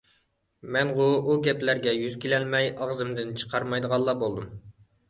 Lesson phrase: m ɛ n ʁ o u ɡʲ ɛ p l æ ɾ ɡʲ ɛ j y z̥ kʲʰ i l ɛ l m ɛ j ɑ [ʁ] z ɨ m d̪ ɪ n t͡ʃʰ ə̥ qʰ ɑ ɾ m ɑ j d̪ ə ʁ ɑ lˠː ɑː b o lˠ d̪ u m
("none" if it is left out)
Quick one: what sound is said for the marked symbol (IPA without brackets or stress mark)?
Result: ʁ